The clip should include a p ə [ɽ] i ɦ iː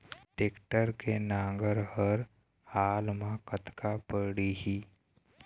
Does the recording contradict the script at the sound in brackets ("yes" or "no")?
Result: no